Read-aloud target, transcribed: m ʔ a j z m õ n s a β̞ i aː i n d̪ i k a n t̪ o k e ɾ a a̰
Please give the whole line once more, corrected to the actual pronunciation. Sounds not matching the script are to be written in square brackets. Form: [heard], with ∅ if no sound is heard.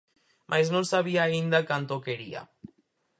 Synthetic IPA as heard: m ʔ a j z [n] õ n s a β̞ i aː i n d̪ [a] k a n t̪ o k e ɾ [i] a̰

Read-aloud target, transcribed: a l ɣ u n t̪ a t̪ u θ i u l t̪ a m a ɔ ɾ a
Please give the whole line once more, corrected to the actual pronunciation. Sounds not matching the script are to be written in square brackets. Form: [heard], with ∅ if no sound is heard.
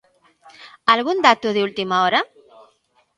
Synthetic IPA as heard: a l ɣ u n [d̪] a t̪ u [ð] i u l t̪ [i] m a ɔ ɾ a

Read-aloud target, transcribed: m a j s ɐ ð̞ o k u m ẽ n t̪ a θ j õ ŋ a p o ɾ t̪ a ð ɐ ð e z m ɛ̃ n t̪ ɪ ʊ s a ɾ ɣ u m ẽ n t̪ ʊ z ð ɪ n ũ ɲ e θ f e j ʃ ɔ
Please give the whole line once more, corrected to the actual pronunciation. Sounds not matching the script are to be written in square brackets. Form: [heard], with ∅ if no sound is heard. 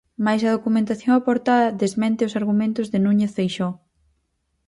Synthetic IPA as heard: m a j s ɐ ð̞ o k u m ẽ n t̪ a θ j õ ŋ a p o ɾ t̪ a ð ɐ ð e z m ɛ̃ n t̪ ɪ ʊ s a ɾ ɣ u m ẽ n t̪ ʊ z ð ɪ n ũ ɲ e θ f e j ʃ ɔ

